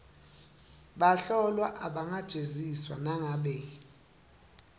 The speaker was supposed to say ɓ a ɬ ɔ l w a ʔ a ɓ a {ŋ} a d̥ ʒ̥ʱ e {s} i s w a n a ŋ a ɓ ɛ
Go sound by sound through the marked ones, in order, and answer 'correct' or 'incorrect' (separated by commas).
correct, incorrect